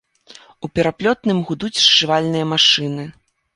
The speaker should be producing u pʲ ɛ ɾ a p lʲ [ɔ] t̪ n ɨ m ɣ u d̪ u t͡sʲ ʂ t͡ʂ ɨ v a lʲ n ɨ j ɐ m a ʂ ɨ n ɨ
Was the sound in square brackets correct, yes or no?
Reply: yes